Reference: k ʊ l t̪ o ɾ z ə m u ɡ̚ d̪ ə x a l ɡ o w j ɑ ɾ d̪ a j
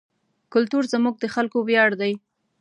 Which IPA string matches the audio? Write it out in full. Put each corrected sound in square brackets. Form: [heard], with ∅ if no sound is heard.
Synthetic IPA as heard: k ʊ l t̪ [u] ɾ z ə m u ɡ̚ d̪ ə x a l [k] o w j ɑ [ɽ] d̪ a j